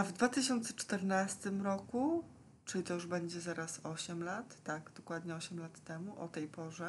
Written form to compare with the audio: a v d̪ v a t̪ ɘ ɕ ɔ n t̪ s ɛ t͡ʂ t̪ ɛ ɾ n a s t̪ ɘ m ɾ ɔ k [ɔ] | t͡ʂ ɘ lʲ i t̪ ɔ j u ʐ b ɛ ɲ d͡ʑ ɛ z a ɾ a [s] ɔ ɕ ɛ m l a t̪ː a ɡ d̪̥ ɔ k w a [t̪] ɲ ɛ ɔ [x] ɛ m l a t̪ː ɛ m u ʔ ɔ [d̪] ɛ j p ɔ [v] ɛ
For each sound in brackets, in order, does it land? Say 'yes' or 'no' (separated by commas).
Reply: no, yes, no, no, no, no